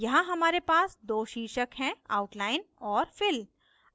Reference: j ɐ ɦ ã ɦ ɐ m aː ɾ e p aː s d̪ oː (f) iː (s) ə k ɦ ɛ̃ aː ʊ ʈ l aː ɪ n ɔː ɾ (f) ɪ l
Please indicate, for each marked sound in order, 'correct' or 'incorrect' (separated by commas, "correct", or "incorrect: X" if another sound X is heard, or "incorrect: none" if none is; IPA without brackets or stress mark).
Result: incorrect: ʃ, incorrect: ʃ, correct